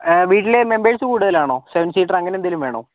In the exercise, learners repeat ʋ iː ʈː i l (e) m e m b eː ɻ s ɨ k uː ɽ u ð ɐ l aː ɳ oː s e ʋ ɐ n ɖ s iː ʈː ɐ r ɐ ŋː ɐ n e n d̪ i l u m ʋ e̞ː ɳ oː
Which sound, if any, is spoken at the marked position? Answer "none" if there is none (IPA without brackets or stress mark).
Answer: e